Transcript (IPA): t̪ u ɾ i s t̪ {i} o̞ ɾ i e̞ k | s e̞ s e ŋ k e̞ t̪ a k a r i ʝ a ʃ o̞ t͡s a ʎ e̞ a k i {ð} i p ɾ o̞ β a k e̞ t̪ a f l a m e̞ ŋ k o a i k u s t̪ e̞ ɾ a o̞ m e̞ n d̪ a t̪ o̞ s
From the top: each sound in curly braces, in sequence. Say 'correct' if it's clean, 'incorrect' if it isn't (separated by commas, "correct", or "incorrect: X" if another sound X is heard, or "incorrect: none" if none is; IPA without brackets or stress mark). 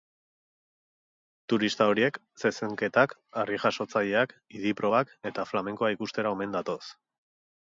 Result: incorrect: a, correct